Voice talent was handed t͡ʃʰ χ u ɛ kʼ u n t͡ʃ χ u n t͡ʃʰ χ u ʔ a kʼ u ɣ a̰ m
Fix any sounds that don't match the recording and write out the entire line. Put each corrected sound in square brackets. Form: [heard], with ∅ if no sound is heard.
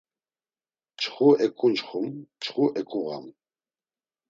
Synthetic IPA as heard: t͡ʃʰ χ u ɛ kʼ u n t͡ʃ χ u [m] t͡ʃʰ χ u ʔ [ɛ] kʼ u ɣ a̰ m